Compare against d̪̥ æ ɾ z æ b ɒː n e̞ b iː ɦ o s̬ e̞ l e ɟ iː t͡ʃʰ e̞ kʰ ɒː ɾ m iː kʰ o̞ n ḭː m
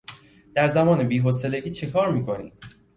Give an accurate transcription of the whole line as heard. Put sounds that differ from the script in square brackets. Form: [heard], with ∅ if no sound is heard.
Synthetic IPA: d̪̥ æ ɾ z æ [m] ɒː n e̞ b iː ɦ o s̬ e̞ l e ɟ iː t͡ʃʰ e̞ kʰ ɒː ɾ m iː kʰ o̞ n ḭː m